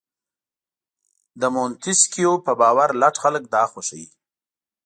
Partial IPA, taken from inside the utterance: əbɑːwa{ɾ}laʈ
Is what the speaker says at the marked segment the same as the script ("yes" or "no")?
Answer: yes